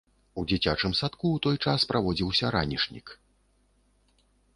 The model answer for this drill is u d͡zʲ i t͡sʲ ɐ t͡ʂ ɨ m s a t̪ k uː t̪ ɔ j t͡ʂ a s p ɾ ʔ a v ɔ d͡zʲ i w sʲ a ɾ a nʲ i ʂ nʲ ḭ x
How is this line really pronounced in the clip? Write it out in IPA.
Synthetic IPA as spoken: u d͡zʲ i t͡sʲ a t͡ʂ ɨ m s a t̪ k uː t̪ ɔ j t͡ʂ a s p ɾ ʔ a v ɔ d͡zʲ i w sʲ ɐ ɾ a nʲ i ʂ nʲ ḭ k

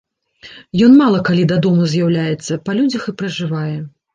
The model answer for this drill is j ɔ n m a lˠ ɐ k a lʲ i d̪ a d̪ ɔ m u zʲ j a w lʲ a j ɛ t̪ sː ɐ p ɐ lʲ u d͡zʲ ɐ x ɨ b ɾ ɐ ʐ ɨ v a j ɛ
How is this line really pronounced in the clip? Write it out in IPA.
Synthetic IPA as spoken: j ɔ n m a lˠ ɐ k a lʲ i d̪ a d̪ ɔ m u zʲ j a w lʲ a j ɛ t̪ sː ɐ p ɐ lʲ u d͡zʲ ɐ x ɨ p ɾ ɐ ʐ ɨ v a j ɛ

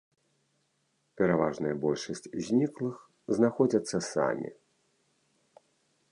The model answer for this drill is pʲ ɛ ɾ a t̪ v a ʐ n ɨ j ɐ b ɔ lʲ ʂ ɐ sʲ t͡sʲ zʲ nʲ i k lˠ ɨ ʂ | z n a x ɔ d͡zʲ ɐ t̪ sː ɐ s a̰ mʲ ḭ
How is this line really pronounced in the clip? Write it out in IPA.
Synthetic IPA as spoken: pʲ ɛ ɾ a v a ʐ n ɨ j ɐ b ɔ lʲ ʂ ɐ sʲ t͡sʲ zʲ nʲ i k lˠ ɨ x | z n a x ɔ d͡zʲ ɐ t̪ sː ɐ s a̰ mʲ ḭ

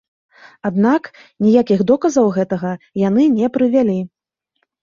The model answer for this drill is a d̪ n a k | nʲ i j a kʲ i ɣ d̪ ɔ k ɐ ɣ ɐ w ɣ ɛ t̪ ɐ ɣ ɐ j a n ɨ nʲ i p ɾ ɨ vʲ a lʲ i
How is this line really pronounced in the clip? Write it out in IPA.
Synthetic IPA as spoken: a d̪ n a k | nʲ i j a kʲ i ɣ d̪ ɔ k ɐ z ɐ w ɣ ɛ t̪ ɐ ɣ ɐ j a n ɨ nʲ ɛ p ɾ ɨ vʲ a lʲ i

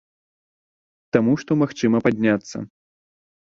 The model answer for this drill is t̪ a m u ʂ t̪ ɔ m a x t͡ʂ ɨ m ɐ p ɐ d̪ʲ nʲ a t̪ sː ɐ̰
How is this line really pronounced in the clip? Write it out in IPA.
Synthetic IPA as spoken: t̪ a m u ʂ t̪ ɔ m a x t͡ʂ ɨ m ɐ p a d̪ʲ nʲ a t̪ sː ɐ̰

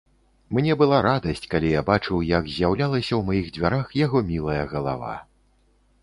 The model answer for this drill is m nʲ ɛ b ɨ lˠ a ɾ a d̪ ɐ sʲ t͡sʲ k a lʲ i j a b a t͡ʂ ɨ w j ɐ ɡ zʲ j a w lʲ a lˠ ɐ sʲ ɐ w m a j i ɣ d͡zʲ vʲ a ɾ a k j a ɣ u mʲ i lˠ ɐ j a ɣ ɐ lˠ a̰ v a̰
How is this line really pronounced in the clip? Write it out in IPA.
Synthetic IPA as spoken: m nʲ ɛ b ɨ lˠ a ɾ a d̪ ɐ sʲ t͡sʲ k a lʲ i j a b a t͡ʂ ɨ w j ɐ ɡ zʲ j a w lʲ a lˠ ɐ sʲ ɐ w m a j i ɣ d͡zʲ vʲ a ɾ a x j a ɣ ɔ mʲ i lˠ ɐ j ɐ ɣ ɐ lˠ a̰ v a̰

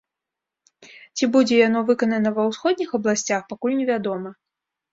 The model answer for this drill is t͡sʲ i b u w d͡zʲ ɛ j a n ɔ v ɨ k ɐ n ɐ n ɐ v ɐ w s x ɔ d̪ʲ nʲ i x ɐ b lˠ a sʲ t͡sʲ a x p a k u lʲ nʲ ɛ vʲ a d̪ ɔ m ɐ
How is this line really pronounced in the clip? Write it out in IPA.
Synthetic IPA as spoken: t͡sʲ i b u d͡zʲ ɛ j a n ɔ v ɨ k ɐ n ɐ n ɐ v ɐ w s x ɔ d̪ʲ nʲ i x ɐ b lˠ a sʲ t͡sʲ a x p a k u lʲ nʲ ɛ vʲ a d̪ ɔ m ɐ

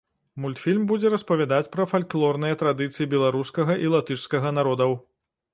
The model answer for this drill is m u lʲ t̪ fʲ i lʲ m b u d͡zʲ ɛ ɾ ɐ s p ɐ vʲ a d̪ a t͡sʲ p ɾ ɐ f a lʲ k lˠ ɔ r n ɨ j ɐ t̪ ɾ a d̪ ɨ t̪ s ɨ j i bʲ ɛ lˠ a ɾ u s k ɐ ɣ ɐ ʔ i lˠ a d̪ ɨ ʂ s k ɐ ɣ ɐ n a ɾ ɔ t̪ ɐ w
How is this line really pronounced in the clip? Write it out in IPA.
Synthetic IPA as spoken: m u lʲ t̪ fʲ i lʲ m b u d͡zʲ ɛ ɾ ɐ s p ɐ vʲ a d̪ a t͡sʲ p ɾ ɐ f a lʲ k lˠ ɔ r n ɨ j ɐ t̪ ɾ a d̪ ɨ t̪ s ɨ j i bʲ ɛ lˠ a ɾ u s k ɐ ɣ ɐ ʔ i lˠ a t̪ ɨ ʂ s k ɐ ɣ ɐ n a ɾ ɔ d̪ ɐ w

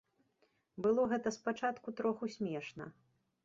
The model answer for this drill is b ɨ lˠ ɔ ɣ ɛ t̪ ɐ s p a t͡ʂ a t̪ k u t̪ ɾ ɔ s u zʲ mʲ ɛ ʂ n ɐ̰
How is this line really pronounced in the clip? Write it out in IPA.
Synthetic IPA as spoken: b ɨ lˠ ɔ ɣ ɛ t̪ ɐ s p a t͡ʂ a t̪ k u t̪ ɾ ɔ x u sʲ mʲ ɛ ʂ n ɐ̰

